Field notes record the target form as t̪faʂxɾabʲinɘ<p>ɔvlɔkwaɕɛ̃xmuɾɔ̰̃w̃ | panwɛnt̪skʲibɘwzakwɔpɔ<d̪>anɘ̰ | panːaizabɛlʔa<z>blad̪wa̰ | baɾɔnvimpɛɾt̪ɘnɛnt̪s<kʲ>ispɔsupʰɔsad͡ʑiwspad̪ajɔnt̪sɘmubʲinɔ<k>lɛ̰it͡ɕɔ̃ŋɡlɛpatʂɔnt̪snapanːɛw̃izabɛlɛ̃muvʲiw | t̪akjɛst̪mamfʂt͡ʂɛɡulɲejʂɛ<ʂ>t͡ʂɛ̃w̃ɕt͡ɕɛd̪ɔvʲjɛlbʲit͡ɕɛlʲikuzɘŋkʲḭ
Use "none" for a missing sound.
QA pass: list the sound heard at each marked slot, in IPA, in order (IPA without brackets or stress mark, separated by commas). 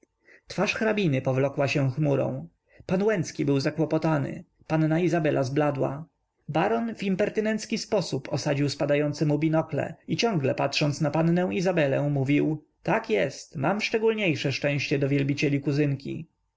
p, t̪, z, kʲ, k, ʂ